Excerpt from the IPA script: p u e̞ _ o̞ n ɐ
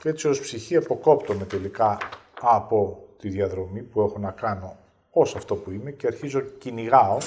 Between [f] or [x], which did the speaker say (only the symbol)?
x